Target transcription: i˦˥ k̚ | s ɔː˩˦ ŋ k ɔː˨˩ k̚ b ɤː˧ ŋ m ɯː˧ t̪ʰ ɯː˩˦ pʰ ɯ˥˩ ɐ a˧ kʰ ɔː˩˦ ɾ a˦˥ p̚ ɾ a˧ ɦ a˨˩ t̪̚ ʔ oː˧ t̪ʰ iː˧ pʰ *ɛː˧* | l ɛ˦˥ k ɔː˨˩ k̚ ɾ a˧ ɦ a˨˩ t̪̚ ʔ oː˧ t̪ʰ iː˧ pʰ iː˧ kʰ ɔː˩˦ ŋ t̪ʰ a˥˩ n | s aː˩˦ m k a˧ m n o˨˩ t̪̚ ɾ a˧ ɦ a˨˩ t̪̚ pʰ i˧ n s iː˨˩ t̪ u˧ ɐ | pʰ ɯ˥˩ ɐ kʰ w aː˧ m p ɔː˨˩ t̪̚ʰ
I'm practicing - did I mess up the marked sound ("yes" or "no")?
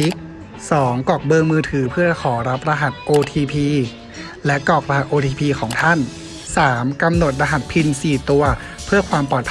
yes